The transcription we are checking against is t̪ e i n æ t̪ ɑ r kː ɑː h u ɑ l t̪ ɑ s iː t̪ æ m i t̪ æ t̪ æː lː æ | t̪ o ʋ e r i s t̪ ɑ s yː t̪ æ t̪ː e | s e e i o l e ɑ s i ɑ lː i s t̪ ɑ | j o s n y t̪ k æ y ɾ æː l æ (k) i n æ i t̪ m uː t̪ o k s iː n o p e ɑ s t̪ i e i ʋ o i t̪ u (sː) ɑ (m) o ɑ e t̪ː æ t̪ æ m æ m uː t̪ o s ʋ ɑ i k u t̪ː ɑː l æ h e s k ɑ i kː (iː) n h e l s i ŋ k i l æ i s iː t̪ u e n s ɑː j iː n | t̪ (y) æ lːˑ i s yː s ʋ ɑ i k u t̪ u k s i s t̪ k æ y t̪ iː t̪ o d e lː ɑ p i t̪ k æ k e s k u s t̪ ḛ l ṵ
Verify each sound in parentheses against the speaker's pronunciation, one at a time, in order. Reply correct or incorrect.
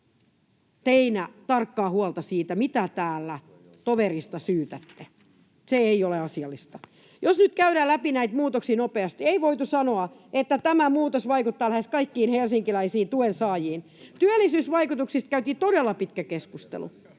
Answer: incorrect: p, incorrect: s, incorrect: n, correct, correct

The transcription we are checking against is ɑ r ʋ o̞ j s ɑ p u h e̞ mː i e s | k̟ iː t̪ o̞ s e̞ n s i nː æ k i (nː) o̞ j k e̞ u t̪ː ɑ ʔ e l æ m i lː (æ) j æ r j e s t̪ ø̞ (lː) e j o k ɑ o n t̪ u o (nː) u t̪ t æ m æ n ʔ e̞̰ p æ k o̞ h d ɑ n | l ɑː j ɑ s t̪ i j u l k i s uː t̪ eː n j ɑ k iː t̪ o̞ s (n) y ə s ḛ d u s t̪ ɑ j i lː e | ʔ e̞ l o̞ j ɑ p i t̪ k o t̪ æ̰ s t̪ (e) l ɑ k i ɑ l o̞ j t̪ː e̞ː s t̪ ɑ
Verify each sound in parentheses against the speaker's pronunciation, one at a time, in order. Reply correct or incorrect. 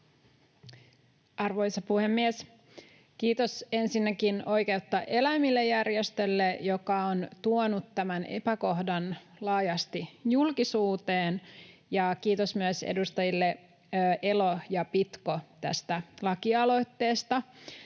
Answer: incorrect: n, incorrect: e, correct, incorrect: n, incorrect: m, incorrect: æ

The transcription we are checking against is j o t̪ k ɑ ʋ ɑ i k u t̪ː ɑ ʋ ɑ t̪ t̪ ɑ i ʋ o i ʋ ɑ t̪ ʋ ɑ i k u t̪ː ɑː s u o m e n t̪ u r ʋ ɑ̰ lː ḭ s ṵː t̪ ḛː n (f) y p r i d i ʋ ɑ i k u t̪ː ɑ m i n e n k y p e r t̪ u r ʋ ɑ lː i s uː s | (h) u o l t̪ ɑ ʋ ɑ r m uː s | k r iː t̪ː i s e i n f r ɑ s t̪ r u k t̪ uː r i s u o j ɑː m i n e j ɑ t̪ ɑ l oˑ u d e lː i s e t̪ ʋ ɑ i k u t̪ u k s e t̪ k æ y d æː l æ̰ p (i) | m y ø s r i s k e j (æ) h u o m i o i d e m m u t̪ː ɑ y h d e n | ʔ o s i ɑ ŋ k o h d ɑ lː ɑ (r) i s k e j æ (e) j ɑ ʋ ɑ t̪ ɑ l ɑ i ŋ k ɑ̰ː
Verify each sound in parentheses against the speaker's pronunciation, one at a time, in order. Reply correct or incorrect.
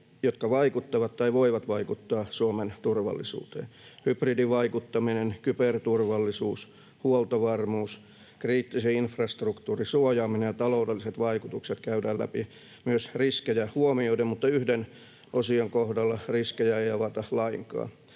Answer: incorrect: h, correct, correct, correct, correct, correct

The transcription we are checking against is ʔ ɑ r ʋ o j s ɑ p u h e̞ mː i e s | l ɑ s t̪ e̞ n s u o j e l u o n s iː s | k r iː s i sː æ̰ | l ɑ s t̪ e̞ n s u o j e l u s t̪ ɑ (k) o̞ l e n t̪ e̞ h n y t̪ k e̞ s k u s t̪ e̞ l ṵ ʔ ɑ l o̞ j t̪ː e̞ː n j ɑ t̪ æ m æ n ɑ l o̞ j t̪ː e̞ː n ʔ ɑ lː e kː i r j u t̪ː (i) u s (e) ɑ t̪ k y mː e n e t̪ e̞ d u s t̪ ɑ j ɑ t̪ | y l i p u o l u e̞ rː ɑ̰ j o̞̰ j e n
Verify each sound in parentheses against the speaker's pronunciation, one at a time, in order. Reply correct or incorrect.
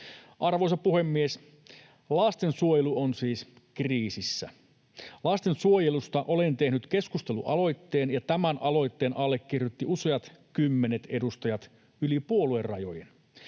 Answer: incorrect: ʔ, correct, correct

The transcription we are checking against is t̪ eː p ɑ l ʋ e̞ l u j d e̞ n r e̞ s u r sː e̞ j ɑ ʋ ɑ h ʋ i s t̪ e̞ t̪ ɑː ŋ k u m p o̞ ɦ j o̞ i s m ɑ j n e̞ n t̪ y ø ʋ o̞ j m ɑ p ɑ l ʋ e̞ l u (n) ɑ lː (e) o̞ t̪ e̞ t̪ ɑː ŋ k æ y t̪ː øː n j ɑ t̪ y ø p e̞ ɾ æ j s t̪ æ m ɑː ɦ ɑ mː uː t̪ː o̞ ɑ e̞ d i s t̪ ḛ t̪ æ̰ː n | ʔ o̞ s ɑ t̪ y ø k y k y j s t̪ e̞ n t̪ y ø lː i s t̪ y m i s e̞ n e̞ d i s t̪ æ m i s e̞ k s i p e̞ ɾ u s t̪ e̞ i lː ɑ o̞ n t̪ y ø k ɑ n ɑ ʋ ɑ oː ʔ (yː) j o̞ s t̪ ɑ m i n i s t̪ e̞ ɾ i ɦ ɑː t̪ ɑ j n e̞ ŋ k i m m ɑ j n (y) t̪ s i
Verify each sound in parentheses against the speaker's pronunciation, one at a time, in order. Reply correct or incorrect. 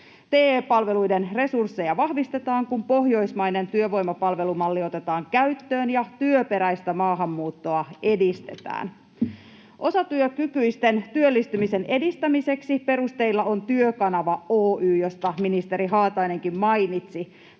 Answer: incorrect: m, incorrect: i, correct, incorrect: i

